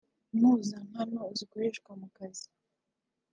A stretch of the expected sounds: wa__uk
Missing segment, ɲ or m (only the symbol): m